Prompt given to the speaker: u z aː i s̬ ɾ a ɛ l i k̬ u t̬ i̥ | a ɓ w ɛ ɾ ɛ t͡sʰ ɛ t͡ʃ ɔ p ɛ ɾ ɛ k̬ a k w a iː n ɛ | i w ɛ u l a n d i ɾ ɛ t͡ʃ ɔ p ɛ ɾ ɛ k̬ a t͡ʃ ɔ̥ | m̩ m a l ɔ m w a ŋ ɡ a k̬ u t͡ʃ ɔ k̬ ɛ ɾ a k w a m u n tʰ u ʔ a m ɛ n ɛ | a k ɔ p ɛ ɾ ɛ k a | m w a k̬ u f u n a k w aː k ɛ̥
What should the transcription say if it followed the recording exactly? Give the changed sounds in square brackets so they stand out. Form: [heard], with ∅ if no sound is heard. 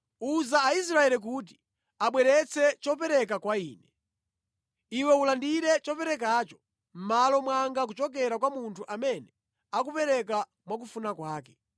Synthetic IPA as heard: u z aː i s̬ ɾ a ɛ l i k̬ u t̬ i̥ | a ɓ w ɛ ɾ ɛ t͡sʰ ɛ t͡ʃ ɔ p ɛ ɾ ɛ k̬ a k w a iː n ɛ | i w ɛ u l a n d i ɾ ɛ t͡ʃ ɔ p ɛ ɾ ɛ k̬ a t͡ʃ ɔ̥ | m̩ m a l ɔ m w a ŋ ɡ a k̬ u t͡ʃ ɔ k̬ ɛ ɾ a k w a m u n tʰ u ʔ a m ɛ n ɛ | a k [u] p ɛ ɾ ɛ k a | m w a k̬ u f u n a k w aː k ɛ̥

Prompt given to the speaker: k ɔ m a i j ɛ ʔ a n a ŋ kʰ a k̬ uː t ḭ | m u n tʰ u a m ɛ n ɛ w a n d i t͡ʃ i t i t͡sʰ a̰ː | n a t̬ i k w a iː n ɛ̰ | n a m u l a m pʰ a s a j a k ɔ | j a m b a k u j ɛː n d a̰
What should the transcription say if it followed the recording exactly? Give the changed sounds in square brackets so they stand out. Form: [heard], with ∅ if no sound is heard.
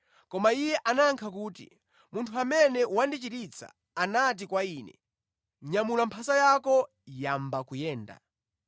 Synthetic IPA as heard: k ɔ m a i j ɛ ʔ a n a ŋ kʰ a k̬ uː t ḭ | m u n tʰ u a m ɛ n ɛ w a n d i t͡ʃ i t i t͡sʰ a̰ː | n a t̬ i k w a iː n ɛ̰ | [ɲ] a m u l a m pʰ a s a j a k ɔ | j a m b a k u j ɛː n d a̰

